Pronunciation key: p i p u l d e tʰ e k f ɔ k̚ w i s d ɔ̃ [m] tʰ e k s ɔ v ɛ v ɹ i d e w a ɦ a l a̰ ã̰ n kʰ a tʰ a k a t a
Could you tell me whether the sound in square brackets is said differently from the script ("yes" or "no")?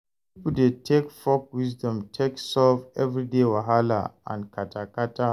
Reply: no